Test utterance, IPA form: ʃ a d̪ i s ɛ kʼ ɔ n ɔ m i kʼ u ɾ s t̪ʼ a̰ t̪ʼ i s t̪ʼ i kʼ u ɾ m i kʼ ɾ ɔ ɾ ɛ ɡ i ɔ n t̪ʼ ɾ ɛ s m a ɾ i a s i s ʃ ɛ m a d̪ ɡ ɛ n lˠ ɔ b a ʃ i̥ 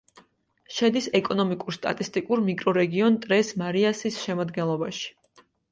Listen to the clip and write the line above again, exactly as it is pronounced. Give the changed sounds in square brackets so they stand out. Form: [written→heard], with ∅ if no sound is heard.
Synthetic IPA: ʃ [a→ɛ] d̪ i s ɛ kʼ ɔ n ɔ m i kʼ u ɾ s t̪ʼ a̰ t̪ʼ i s t̪ʼ i kʼ u ɾ m i kʼ ɾ ɔ ɾ ɛ ɡ i ɔ n t̪ʼ ɾ ɛ s m a ɾ i a s i s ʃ ɛ m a d̪ ɡ ɛ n lˠ ɔ b a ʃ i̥